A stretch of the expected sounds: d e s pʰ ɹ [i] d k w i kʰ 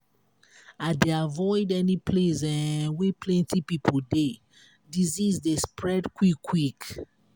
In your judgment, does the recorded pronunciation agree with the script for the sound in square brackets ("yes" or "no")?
no